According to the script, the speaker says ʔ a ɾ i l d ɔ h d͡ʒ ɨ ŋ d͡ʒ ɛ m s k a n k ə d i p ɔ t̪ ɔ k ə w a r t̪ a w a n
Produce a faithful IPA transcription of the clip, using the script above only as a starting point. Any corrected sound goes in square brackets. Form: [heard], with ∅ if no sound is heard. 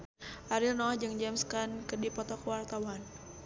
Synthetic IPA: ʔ a ɾ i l [n] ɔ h d͡ʒ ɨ ŋ d͡ʒ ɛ m s k a n k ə d i p ɔ t̪ ɔ k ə w a r t̪ a w a n

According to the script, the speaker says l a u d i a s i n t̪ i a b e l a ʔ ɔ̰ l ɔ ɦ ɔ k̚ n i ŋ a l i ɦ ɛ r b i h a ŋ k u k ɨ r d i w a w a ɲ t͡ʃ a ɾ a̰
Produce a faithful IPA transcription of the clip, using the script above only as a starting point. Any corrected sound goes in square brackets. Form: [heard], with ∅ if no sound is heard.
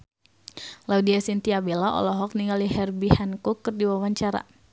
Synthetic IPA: l a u d i a s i n t̪ i a b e l a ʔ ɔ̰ l ɔ ɦ ɔ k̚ n i ŋ a l i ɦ ɛ r b i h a [n] k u k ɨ r d i w a w a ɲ t͡ʃ a ɾ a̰

